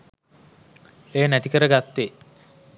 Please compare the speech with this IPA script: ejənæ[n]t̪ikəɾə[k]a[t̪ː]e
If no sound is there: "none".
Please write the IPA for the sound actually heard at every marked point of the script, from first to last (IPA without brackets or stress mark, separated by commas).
none, ɡ, t̪ː